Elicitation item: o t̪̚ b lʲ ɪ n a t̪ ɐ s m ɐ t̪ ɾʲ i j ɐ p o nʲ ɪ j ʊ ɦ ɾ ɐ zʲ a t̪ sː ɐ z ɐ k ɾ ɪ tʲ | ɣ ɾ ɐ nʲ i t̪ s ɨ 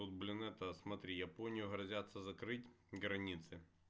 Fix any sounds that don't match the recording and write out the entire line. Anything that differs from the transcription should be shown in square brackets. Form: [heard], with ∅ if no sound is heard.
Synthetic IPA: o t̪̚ b lʲ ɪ n [ɛ] t̪ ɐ s m ɐ t̪ ɾʲ i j ɐ p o nʲ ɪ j ʊ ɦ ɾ ɐ zʲ a t̪ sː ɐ z ɐ k ɾ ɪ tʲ | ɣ ɾ ɐ nʲ i t̪ s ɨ

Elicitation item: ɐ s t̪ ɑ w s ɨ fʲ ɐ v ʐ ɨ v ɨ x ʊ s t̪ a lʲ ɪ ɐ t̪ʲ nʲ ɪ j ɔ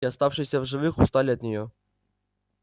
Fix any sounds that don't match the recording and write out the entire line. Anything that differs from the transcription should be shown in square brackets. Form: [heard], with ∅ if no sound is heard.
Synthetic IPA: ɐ s t̪ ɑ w [ʂ] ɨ [sʲ] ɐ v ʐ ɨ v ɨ x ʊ s t̪ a lʲ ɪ ɐ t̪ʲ nʲ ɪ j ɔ

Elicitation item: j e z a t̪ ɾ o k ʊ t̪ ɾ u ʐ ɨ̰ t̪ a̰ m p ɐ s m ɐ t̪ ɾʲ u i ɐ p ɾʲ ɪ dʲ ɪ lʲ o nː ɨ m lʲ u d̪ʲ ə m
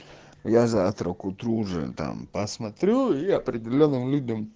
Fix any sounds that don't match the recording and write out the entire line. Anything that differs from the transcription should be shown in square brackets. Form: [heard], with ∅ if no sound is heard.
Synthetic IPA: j [a] z a t̪ ɾ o k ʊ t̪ ɾ u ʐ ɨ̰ t̪ a̰ m p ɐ s m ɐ t̪ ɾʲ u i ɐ p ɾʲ ɪ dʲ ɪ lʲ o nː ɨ m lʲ u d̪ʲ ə m

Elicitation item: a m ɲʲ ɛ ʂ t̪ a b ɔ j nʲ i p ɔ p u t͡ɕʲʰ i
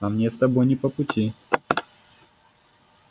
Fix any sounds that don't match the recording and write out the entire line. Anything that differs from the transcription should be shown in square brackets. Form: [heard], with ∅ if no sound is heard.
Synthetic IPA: a m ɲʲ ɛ [s] t̪ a b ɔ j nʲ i p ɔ p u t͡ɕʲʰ i

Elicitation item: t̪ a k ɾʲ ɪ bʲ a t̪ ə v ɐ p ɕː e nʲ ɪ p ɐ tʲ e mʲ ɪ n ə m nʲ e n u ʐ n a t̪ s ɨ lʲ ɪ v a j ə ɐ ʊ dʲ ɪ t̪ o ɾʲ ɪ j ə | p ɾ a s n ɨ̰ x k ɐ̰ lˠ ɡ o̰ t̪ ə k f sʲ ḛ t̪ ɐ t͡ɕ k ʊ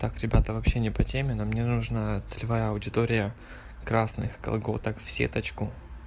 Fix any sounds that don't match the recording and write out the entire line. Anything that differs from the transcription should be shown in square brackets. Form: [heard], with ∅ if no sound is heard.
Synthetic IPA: t̪ a k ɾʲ ɪ bʲ a t̪ ə v ɐ p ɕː e nʲ ɪ p ɐ tʲ e mʲ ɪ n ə m nʲ e n u ʐ n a t̪ s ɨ lʲ ɪ v a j ə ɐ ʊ dʲ ɪ t̪ o ɾʲ ɪ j ə | [k] ɾ a s n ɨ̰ x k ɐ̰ lˠ ɡ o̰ t̪ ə k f sʲ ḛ t̪ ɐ t͡ɕ k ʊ

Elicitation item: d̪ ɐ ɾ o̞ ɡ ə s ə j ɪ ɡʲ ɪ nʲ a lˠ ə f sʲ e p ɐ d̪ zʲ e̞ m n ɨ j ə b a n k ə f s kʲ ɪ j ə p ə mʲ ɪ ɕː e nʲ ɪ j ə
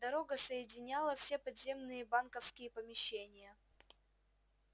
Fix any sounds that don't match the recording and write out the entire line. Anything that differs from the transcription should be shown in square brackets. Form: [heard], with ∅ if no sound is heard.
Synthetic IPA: d̪ ɐ ɾ o̞ ɡ ə s ə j ɪ [dʲ] ɪ nʲ a lˠ ə f sʲ e p ɐ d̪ zʲ e̞ m n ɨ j ə b a n k ə f s kʲ ɪ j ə p ə mʲ ɪ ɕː e nʲ ɪ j ə

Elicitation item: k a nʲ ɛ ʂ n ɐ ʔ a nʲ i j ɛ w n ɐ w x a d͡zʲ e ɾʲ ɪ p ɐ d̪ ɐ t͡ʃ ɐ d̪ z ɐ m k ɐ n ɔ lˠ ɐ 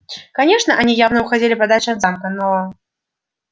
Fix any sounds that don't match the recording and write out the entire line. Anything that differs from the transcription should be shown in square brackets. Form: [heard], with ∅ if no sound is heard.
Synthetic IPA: k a nʲ ɛ ʂ n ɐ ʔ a nʲ i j [a] w n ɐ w x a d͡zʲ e [lʲ] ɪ p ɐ d̪ [a] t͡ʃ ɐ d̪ z [a] m k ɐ n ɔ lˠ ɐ

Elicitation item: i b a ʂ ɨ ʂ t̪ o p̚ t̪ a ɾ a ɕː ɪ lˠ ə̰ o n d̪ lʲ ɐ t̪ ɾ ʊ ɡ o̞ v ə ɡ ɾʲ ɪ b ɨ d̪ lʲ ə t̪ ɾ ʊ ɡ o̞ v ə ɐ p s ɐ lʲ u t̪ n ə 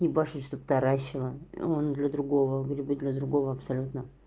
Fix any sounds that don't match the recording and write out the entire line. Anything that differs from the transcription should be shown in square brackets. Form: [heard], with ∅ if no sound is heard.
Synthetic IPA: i b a ʂ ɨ ʂ t̪ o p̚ t̪ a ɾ a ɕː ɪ lˠ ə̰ o n d̪ lʲ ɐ [d̪] ɾ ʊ ɡ o̞ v ə ɡ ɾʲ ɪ b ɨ d̪ lʲ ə [d̪] ɾ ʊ ɡ o̞ v ə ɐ p s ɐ lʲ u t̪ n ə

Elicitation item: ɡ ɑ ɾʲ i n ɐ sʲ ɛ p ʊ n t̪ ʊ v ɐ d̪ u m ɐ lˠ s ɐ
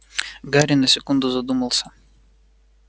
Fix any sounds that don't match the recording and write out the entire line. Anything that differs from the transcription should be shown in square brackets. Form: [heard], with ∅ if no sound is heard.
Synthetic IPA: ɡ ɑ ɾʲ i n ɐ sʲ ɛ [k] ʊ n [d̪] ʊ [z] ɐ d̪ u m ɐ lˠ s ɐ

